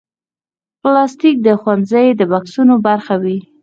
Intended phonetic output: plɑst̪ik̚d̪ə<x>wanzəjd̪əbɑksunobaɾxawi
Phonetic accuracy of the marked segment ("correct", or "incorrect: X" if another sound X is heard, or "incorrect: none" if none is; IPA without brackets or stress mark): correct